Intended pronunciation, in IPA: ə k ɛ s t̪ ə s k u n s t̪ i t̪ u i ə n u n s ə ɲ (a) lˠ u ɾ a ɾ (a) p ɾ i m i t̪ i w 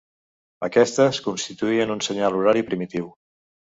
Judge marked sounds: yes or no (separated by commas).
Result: yes, no